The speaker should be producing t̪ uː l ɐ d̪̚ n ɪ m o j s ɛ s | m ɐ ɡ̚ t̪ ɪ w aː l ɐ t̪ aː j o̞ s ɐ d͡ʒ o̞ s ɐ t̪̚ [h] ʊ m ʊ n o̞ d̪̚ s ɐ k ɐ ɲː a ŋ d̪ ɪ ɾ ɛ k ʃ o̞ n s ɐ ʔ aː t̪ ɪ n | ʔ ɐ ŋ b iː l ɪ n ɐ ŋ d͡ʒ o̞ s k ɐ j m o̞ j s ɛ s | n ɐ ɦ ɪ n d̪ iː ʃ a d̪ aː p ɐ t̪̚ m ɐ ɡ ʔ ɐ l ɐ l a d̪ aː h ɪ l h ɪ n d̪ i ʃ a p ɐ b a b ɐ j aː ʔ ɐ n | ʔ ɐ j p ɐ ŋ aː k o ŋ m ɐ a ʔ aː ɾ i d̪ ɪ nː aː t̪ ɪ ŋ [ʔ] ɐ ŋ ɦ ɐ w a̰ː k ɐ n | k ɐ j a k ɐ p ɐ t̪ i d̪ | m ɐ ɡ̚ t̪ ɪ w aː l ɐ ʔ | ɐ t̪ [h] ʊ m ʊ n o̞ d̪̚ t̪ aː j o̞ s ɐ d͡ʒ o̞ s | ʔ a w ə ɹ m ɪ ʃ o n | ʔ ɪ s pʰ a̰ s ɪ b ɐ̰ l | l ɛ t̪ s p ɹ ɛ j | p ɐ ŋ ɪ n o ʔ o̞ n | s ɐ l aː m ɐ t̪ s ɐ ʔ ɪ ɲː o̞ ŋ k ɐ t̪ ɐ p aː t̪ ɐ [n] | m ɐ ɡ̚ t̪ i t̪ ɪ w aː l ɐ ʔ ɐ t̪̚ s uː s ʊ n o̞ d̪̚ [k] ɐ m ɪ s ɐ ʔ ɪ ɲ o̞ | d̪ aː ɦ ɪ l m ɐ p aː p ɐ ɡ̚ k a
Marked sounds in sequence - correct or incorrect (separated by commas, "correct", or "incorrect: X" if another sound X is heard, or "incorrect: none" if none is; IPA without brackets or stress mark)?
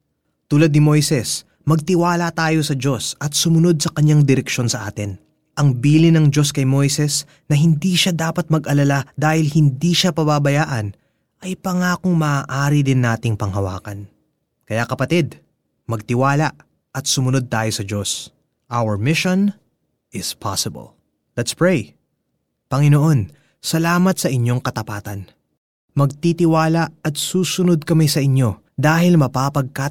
incorrect: s, incorrect: p, incorrect: s, correct, correct